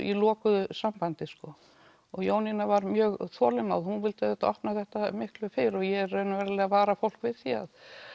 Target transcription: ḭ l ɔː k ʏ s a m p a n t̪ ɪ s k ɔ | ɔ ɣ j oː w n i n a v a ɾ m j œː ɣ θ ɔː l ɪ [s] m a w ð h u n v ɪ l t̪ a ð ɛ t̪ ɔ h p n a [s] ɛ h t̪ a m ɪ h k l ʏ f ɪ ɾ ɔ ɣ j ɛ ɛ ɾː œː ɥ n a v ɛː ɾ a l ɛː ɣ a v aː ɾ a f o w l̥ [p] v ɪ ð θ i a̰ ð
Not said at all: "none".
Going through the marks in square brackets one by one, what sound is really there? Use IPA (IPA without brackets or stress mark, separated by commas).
none, θ, k